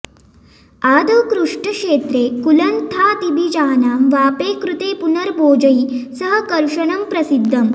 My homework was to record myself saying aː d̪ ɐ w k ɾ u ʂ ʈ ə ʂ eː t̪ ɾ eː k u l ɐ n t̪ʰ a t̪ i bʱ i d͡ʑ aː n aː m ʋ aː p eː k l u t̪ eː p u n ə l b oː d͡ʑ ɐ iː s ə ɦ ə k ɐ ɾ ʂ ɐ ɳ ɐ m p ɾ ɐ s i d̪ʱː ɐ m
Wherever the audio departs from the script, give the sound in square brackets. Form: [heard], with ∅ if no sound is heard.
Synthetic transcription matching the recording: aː d̪ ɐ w k ɾ u ʂ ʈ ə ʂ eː t̪ ɾ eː k u l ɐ n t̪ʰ a t̪ i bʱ i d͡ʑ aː n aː m ʋ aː p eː k [ɾ] u t̪ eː p u n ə [ɾ] b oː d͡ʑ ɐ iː s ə ɦ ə k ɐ ɾ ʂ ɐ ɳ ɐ m p ɾ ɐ s i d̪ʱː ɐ m